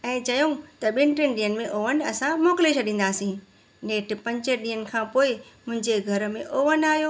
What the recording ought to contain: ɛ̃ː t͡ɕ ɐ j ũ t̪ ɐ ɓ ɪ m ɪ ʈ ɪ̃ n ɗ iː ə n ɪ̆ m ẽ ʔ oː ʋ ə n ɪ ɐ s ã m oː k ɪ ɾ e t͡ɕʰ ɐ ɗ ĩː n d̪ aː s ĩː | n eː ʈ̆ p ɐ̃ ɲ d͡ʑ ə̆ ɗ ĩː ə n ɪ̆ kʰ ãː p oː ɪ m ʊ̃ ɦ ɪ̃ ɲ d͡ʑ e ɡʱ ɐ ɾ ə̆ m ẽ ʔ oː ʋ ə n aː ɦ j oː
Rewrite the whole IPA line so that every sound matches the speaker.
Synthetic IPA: ɛ̃ː t͡ɕ ɐ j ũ t̪ ɐ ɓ ɪ n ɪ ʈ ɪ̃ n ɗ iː ə n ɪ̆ m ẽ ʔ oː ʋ ə n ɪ ɐ s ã m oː k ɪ l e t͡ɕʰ ɐ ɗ ĩː n d̪ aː s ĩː | n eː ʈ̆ p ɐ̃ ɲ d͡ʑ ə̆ ɗ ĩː ə n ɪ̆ kʰ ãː p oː ɪ m ʊ̃ ɦ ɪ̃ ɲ d͡ʑ e ɡʱ ɐ ɾ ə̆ m ẽ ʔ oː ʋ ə n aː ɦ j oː